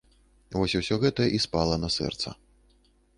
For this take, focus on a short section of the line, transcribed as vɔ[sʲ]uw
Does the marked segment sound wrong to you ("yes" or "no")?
no